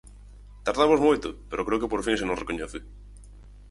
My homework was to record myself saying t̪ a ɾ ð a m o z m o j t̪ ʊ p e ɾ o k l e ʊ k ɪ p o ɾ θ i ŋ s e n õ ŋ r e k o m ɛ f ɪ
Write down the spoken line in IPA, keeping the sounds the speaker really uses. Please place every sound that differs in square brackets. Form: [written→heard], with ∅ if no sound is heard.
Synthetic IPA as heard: t̪ a ɾ ð a m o z m o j t̪ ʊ p e ɾ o k [l→ɾ] e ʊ k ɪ p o ɾ [θ→f] i ŋ s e n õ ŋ r e k o [m→ɲ] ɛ [f→θ] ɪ